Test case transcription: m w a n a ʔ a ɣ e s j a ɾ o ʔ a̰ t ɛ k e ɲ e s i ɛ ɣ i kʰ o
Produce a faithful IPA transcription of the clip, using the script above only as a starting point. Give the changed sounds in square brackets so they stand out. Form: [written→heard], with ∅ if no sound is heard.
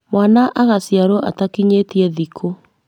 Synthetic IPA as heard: m w a n a ʔ a ɣ [e→a] s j a ɾ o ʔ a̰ t [ɛ→a] k [e→i] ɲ e [s→t] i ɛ [ɣ→ð] i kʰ o